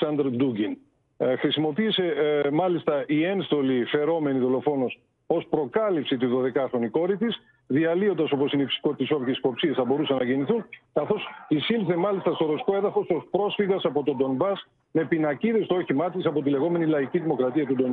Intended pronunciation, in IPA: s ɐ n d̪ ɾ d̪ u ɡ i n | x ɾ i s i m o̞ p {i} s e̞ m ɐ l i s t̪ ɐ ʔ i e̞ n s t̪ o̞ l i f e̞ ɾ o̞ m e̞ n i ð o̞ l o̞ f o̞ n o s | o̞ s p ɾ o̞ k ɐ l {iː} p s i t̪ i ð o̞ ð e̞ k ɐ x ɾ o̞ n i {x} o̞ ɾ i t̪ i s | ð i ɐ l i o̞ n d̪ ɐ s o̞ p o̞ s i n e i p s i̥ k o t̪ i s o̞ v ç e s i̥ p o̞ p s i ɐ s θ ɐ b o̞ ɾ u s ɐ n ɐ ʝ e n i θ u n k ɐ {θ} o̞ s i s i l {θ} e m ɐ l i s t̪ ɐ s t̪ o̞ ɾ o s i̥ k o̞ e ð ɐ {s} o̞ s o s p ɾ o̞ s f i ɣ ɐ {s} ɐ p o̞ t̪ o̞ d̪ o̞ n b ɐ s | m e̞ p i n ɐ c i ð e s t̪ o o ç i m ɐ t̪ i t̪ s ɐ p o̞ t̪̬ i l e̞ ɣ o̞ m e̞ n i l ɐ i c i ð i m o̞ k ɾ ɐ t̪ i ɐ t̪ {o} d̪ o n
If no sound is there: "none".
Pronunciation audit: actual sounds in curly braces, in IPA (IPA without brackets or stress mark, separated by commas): iː, i, k, θ, θ, f, s, u